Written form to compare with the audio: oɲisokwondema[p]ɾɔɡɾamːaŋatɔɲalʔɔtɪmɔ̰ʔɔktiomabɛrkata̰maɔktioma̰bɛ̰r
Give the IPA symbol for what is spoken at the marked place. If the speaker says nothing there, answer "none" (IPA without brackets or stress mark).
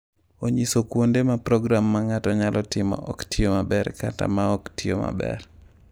p